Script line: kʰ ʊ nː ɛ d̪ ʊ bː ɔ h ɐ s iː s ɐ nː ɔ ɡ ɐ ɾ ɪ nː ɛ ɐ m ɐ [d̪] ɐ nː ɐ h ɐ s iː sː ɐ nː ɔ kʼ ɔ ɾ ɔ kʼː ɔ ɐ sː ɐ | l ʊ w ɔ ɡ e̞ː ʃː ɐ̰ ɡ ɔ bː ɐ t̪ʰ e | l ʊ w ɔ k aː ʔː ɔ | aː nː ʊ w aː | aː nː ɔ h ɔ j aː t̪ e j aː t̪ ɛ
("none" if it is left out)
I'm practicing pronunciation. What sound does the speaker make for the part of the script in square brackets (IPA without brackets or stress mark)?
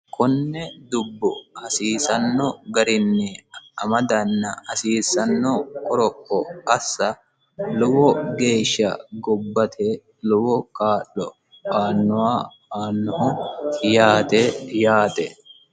d̪